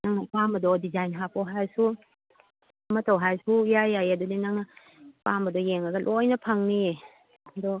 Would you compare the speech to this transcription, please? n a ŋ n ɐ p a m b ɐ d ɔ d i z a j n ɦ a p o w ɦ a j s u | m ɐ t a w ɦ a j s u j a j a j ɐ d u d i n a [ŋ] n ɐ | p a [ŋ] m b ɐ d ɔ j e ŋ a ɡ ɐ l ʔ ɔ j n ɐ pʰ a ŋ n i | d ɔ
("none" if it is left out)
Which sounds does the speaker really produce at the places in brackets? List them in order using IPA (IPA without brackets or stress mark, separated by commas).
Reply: ŋ, none